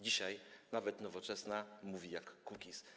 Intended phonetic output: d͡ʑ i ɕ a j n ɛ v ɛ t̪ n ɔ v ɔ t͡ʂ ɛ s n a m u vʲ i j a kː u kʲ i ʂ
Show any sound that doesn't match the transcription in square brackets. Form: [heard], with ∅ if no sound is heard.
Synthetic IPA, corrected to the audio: d͡ʑ i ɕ a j n [a] v ɛ t̪ n ɔ v ɔ t͡ʂ ɛ s n a m u vʲ i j a kː u kʲ i [s]